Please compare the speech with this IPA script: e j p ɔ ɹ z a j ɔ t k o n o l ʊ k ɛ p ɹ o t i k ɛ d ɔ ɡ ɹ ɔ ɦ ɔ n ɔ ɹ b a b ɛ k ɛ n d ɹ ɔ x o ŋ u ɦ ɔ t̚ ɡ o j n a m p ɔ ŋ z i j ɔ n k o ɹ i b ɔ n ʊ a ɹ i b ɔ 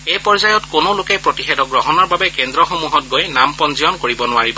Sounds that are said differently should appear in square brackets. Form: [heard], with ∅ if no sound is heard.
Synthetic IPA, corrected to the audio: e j p ɔ ɹ z a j ɔ t k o n o l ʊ k ɛ p ɹ o t i [x] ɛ d ɔ ɡ ɹ ɔ ɦ ɔ n ɔ ɹ b a b ɛ k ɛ n d ɹ ɔ x o [m] u ɦ ɔ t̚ ɡ o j n a m p ɔ [n] z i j ɔ n k o ɹ i b ɔ n ʊ a ɹ i b ɔ

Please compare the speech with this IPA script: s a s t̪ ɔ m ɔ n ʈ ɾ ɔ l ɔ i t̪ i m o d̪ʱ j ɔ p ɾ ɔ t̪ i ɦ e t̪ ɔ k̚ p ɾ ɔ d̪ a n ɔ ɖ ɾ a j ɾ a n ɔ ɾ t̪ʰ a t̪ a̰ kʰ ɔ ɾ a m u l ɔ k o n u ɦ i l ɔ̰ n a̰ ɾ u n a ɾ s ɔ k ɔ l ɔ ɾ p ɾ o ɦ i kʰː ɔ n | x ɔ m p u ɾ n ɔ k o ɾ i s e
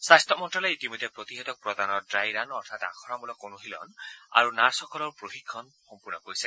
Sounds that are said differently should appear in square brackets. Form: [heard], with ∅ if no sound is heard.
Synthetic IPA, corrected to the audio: s a s t̪ ɔ m ɔ n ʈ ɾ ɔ l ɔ i t̪ i m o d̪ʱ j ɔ p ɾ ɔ t̪ i ɦ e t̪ ɔ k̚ p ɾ ɔ d̪ a n ɔ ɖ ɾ a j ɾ a n ɔ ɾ t̪ʰ a t̪ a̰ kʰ ɔ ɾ a m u l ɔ k o n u ɦ i l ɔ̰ n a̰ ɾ u n a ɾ s ɔ k ɔ l ɔ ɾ p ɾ o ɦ i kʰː ɔ n | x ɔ m p u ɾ n ɔ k o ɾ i s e

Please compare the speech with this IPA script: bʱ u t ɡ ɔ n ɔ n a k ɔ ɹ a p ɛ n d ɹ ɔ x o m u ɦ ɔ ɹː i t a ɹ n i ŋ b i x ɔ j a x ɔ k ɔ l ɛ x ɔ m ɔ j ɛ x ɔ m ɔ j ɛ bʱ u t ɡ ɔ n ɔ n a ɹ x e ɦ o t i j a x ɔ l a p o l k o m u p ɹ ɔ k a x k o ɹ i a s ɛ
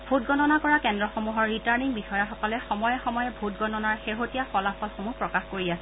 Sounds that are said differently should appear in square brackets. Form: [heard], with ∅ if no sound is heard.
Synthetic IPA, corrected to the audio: bʱ u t ɡ ɔ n ɔ n a k ɔ ɹ a [k] ɛ n d ɹ ɔ x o m u ɦ ɔ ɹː i t a ɹ n i ŋ b i x ɔ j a x ɔ k ɔ l ɛ x ɔ m ɔ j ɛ x ɔ m ɔ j ɛ bʱ u t ɡ ɔ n ɔ n a ɹ x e ɦ o t i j a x ɔ l a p [ɔ] l [x] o m u p ɹ ɔ k a x k o ɹ i a s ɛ

